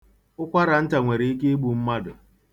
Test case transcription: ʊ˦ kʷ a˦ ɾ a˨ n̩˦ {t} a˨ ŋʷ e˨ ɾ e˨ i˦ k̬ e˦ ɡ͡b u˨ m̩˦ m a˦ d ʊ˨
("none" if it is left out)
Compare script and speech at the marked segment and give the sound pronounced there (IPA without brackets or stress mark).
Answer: t